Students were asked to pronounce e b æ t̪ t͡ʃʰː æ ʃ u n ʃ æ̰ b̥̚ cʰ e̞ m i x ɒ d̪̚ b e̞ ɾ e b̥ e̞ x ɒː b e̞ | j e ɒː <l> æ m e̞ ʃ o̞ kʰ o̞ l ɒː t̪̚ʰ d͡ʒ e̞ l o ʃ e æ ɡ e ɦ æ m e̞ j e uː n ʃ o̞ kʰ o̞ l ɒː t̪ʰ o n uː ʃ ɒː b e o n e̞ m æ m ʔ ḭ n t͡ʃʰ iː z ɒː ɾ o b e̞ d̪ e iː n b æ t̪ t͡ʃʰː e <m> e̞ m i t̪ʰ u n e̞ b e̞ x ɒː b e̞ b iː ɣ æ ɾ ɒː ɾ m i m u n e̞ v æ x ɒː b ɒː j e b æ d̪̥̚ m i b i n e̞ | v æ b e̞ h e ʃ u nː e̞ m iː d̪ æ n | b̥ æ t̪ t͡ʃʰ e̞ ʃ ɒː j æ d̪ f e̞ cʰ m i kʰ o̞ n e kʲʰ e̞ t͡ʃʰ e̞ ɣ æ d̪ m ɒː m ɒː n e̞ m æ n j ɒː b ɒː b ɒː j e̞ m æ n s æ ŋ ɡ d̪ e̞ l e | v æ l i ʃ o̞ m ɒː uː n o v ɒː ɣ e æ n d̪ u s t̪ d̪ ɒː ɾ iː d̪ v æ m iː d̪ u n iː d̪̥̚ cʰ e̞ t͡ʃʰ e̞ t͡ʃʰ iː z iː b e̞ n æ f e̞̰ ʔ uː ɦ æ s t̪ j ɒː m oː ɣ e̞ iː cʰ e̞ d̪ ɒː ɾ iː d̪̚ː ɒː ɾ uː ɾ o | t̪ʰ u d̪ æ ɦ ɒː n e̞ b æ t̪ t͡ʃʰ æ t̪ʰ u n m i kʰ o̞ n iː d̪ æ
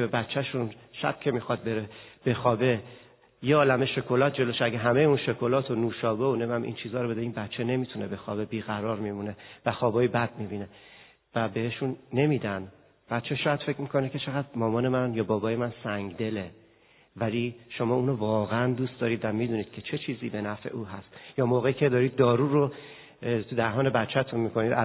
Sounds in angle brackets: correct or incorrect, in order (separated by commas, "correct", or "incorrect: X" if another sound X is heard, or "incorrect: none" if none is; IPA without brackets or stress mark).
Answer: correct, incorrect: n